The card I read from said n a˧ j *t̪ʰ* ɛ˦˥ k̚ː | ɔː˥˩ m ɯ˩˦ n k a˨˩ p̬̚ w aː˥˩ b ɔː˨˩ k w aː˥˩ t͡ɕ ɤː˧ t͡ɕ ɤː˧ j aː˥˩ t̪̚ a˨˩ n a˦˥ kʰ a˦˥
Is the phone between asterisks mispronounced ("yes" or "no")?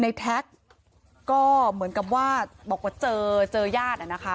no